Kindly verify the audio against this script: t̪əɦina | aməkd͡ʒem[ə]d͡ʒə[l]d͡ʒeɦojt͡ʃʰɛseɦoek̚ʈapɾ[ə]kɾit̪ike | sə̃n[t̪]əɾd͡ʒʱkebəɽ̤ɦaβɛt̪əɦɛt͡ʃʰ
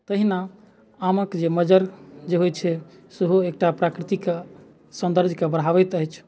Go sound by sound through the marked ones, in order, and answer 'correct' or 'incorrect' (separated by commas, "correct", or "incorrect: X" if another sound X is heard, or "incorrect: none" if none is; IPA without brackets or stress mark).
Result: correct, incorrect: ɾ, incorrect: a, incorrect: d̪